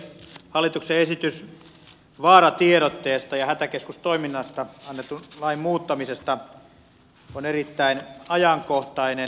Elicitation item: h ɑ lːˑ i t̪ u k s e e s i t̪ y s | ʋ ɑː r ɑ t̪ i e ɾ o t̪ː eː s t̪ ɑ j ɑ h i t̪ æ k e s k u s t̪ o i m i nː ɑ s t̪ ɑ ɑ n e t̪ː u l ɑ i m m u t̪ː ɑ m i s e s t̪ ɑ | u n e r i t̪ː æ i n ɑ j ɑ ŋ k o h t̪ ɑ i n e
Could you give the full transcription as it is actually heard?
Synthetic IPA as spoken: h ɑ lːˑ i t̪ u k s e e s i t̪ y s | ʋ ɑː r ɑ t̪ i e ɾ o t̪ː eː s t̪ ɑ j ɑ h æ t̪ æ k e s k u s t̪ o i m i nː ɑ s t̪ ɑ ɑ nː e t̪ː u l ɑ i m m uː t̪ː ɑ m i s e s t̪ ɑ | o n e r i t̪ː æ i n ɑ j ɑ ŋ k o h t̪ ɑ i n e